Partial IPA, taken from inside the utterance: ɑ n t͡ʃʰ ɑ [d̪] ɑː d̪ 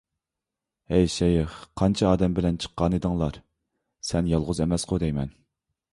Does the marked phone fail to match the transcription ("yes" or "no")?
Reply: yes